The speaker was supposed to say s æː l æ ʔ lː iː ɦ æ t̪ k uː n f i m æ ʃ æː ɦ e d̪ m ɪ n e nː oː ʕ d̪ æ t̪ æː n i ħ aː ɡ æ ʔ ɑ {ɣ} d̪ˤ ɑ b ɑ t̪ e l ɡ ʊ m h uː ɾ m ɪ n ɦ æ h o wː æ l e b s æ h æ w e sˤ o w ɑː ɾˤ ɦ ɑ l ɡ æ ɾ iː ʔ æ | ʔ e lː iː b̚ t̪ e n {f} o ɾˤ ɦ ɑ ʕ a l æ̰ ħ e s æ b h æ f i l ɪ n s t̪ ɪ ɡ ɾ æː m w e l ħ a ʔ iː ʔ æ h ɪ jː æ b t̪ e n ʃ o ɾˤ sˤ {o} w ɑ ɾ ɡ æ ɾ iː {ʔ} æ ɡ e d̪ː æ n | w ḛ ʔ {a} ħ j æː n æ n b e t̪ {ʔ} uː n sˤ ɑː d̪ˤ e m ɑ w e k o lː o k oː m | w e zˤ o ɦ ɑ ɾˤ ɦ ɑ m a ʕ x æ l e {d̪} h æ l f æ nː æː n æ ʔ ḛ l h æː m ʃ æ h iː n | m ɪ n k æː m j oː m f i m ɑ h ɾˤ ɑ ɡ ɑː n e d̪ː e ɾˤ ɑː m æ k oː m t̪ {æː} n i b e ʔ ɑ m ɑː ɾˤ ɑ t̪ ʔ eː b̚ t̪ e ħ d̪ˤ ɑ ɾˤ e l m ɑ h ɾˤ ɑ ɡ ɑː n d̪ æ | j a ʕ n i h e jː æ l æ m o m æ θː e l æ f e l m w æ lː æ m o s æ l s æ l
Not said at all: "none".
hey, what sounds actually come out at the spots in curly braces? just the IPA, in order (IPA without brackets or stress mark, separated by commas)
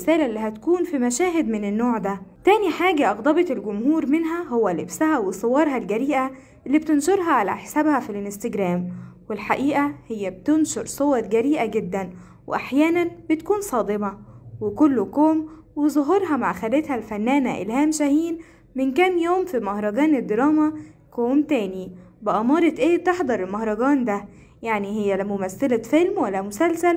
ɣ, ʃ, o, ʔ, a, k, t̪, æː